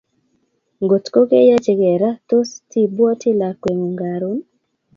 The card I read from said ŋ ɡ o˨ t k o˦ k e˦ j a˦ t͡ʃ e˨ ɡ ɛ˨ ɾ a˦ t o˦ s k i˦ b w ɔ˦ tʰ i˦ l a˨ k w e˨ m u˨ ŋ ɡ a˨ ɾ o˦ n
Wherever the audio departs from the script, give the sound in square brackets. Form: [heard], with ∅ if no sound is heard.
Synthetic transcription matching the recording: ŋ ɡ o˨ t k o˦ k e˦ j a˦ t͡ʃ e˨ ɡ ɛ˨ ɾ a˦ t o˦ s [t] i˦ b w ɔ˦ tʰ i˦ l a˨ k w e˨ [ŋ] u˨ ŋ ɡ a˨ ɾ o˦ n